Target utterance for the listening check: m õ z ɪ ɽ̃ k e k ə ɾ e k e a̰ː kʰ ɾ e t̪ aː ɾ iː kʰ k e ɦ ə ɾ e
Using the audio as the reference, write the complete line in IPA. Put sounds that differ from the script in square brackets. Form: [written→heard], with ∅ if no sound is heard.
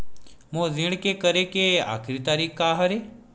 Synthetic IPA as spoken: m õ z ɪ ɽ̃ k e k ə ɾ e k e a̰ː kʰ ɾ [e→i] t̪ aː ɾ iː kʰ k [e→a] ɦ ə ɾ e